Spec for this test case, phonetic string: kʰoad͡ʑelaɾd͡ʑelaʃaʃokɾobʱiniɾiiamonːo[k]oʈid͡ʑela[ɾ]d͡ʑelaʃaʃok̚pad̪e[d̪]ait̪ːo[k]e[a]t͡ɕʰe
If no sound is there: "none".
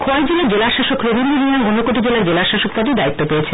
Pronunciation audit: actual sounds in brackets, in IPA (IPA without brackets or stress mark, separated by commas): k, ɾ, d̪, p, e